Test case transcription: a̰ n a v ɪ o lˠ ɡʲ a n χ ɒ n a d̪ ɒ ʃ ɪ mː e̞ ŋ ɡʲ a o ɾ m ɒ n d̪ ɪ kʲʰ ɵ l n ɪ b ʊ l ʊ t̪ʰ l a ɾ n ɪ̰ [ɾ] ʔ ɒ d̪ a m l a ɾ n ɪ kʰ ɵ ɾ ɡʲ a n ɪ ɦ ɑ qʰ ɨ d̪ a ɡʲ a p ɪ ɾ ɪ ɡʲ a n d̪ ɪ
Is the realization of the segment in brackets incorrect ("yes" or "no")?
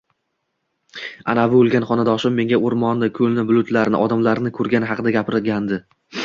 yes